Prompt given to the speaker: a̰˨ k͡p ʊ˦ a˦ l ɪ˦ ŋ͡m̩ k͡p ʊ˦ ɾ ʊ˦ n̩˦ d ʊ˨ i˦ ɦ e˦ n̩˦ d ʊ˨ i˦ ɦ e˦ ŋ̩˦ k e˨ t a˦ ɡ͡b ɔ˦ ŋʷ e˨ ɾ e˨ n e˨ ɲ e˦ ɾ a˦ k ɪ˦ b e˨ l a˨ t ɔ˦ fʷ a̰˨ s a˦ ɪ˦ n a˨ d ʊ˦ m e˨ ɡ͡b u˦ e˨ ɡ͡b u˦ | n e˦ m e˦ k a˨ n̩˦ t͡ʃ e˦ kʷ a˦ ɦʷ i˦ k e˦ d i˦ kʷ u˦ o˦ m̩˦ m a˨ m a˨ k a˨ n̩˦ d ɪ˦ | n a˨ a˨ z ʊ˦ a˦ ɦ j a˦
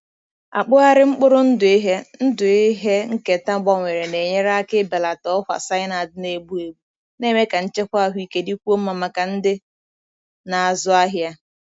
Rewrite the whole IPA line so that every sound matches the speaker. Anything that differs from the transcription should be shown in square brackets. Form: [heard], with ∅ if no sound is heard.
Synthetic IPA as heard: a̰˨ k͡p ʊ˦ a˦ [ɾ] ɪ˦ ŋ͡m̩ k͡p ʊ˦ ɾ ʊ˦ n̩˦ d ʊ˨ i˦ ɦ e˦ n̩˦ d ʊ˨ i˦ ɦ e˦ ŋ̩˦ k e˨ t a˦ ɡ͡b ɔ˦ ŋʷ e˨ ɾ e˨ n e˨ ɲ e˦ ɾ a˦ k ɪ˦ b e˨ l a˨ t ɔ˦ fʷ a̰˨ s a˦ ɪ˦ n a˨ d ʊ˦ [n] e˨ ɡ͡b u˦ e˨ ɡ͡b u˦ | n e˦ m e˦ k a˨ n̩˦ t͡ʃ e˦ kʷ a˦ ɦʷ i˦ k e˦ d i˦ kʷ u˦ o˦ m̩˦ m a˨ m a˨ k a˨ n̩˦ d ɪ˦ | n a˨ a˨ z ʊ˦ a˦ ɦ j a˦